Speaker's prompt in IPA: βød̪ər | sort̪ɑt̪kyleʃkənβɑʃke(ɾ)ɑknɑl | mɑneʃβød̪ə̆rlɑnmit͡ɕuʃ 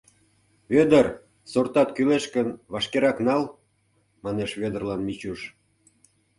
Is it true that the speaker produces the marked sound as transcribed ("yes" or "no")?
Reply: yes